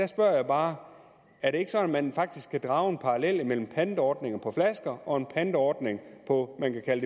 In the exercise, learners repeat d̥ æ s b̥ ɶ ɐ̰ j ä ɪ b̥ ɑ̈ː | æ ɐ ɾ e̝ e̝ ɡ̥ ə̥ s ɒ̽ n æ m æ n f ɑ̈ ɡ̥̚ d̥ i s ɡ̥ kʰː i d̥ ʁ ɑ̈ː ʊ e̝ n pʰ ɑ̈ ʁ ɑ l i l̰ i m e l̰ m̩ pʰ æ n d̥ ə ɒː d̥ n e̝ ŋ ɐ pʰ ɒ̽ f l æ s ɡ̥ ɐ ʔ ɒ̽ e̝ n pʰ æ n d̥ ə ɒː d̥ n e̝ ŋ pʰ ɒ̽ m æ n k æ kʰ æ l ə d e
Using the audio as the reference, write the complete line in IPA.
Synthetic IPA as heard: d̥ æ s b̥ ɶ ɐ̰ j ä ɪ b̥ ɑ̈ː | æ ɐ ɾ e̝ e̝ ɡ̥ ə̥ s ɒ̽ n æ m æ n f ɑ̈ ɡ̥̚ d̥ i s ɡ̥ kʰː æ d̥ ʁ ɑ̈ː ʊ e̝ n pʰ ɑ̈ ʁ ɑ l e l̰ i m e l̰ m̩ pʰ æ n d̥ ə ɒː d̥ n e̝ ŋ ɐ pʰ ɒ̽ f l æ s ɡ̥ ɐ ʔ ɒ̽ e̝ n pʰ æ n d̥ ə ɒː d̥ n e̝ ŋ pʰ ɒ̽ m æ n k æ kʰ æ l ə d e